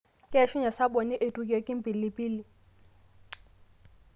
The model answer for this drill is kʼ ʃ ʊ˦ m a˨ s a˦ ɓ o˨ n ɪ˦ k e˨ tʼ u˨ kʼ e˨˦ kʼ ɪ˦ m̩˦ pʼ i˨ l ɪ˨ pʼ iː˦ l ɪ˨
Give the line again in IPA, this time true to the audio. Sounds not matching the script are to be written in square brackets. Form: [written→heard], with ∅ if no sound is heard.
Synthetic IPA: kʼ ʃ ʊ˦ [m→ɲ] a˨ s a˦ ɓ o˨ n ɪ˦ [k→ʔ] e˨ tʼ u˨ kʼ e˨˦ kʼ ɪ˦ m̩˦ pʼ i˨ l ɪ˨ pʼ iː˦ l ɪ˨